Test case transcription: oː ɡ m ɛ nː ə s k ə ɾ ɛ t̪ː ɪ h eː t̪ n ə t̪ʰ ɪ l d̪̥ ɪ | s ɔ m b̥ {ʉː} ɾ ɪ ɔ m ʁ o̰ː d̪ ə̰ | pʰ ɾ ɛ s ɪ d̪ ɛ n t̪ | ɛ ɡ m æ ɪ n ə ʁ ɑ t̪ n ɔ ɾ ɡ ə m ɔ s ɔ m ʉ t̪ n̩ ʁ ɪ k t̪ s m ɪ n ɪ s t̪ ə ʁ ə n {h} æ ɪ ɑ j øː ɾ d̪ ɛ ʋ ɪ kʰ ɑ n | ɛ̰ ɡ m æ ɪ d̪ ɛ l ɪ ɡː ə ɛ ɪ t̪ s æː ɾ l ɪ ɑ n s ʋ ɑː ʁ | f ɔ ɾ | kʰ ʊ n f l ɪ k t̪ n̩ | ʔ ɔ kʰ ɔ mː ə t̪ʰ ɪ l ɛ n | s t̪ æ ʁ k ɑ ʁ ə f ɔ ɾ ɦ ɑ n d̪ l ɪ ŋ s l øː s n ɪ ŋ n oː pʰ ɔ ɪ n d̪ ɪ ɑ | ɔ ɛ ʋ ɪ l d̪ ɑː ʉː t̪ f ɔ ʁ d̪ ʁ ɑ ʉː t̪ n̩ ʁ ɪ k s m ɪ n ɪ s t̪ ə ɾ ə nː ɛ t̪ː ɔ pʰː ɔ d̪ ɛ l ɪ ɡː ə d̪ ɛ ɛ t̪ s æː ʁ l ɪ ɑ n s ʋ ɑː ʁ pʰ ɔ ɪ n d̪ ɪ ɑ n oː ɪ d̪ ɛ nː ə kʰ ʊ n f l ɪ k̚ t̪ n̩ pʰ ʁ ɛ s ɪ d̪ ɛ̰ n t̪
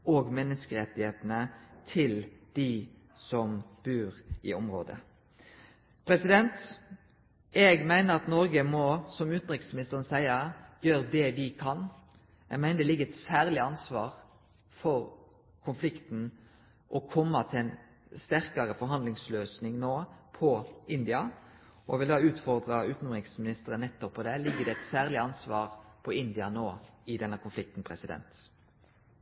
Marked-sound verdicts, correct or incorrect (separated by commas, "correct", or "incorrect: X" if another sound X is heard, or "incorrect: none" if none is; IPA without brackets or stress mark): correct, incorrect: s